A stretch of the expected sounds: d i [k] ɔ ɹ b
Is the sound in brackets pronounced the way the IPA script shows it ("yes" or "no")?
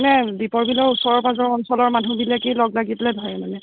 no